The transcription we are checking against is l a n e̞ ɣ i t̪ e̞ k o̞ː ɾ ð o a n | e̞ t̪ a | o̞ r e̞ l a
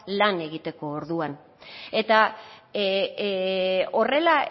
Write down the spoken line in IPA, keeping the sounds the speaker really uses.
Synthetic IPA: l a n e̞ ɣ i t̪ e̞ k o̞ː ɾ ð u a n | e̞ t̪ a | o̞ r e̞ l a